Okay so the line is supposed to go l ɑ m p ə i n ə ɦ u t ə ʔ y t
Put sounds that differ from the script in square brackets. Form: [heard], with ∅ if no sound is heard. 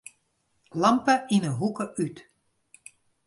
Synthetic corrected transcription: l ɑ m p ə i n ə ɦ u [k] ə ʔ y t